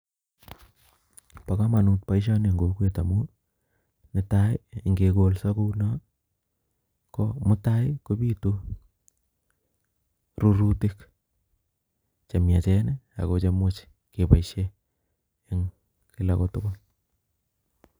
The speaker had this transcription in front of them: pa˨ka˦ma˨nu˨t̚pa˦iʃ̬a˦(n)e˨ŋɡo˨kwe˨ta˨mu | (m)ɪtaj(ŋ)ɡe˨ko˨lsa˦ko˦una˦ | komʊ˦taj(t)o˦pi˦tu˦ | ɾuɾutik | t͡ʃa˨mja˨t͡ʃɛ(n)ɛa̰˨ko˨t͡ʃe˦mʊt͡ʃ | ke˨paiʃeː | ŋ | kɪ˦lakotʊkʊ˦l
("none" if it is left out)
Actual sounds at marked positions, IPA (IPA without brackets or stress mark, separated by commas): n, n, ŋ, k, n